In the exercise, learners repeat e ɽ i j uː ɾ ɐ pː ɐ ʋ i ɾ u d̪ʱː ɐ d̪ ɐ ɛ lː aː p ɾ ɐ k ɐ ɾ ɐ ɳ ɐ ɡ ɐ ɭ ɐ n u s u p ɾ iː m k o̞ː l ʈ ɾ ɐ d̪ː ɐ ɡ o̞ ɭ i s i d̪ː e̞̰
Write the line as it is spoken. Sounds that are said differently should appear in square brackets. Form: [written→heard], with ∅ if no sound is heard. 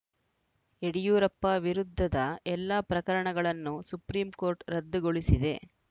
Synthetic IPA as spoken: e ɽ i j uː ɾ ɐ pː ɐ ʋ i ɾ u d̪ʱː ɐ d̪ ɐ ɛ lː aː p ɾ ɐ k ɐ ɾ ɐ ɳ ɐ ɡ ɐ ɭ ɐ [n→nː] u s u p ɾ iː m k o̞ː [l→ɾ] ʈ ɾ ɐ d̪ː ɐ ɡ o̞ ɭ i s i [d̪ː→d̪] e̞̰